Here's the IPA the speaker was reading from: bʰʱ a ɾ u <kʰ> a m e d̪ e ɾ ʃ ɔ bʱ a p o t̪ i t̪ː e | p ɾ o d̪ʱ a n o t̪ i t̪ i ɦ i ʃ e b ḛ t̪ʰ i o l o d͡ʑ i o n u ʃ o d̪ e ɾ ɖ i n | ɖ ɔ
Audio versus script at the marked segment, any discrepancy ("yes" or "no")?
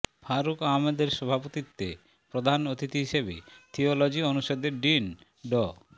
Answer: yes